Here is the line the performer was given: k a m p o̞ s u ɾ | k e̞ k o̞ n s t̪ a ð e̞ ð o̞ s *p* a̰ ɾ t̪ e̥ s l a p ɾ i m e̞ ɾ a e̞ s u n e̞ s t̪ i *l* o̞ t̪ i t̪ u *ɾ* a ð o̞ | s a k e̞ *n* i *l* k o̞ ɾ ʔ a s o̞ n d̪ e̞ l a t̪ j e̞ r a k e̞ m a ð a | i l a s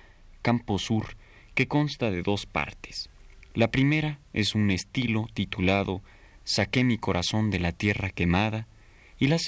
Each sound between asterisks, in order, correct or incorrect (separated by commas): correct, correct, incorrect, incorrect, incorrect